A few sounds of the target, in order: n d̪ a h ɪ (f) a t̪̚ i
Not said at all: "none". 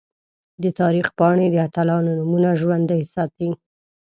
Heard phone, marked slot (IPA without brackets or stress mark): s